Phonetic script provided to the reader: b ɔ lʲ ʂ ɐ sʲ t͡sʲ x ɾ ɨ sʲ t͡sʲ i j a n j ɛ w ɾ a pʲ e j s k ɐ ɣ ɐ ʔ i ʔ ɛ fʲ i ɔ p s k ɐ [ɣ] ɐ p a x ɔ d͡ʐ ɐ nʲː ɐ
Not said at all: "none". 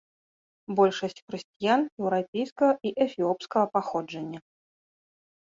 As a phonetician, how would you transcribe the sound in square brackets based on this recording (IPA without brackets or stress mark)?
ɣ